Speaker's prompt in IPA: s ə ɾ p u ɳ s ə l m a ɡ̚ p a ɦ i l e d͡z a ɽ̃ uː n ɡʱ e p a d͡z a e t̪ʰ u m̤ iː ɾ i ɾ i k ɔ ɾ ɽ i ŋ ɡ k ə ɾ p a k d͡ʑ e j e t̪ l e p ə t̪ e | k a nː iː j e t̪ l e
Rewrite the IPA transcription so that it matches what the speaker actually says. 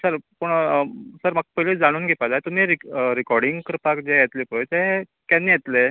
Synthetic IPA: s ə ɾ p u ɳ s ə ɾ m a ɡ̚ p ə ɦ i l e d͡z a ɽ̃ uː n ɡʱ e p a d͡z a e t̪ u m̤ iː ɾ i ɾ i k ɔ ɾ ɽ i ŋ ɡ k ə ɾ p a k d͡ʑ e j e t̪ l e p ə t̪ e | k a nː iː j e t̪ l e